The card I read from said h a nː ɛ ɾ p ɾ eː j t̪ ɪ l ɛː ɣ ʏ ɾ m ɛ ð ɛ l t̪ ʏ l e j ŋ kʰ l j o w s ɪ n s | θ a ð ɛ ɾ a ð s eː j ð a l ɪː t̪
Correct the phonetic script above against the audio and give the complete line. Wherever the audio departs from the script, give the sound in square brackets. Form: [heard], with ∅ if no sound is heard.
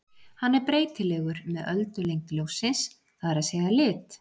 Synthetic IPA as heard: h a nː ɛ ɾ p ɾ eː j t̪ ɪ l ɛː ɣ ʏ ɾ m ɛ ð [œ] l t̪ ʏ l e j ŋ [k] l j o w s ɪ n s | θ a ð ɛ ɾ a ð s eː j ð a l ɪː t̪

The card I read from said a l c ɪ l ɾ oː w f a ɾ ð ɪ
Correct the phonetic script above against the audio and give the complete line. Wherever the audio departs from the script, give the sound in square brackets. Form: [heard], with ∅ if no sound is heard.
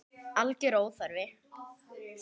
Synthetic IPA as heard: a l c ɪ [∅] ɾ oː w [θ] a ɾ [v] ɪ

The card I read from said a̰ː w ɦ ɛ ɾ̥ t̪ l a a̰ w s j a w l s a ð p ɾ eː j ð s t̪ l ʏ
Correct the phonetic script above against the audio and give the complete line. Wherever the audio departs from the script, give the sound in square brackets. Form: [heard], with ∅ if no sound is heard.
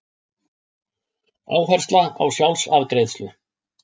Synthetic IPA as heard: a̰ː w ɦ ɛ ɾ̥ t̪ l a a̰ w s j a w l s a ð [k] ɾ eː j ð s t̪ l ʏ

